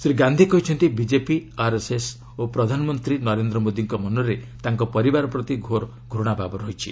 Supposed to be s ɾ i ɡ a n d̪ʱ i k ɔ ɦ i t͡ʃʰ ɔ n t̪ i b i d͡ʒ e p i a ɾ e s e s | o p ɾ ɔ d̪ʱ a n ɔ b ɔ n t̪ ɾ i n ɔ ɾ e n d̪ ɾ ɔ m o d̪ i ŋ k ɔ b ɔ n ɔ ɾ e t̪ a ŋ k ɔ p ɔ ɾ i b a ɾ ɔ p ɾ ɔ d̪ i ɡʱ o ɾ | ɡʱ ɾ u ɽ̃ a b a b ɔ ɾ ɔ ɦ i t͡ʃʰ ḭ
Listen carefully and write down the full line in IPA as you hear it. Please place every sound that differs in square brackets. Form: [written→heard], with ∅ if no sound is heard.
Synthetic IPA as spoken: s ɾ i ɡ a n d̪ʱ i k ɔ ɦ i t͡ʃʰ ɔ n t̪ i b i d͡ʒ e p i a ɾ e s e s | o p ɾ ɔ d̪ʱ a n ɔ [b→m] ɔ n t̪ ɾ i n ɔ ɾ e n d̪ ɾ ɔ m o d̪ i ŋ k ɔ [b→m] ɔ n ɔ ɾ e t̪ a ŋ k ɔ p ɔ ɾ i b a ɾ ɔ p ɾ ɔ [d̪→t̪] i ɡʱ o ɾ | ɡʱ ɾ u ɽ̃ a b a b ɔ ɾ ɔ ɦ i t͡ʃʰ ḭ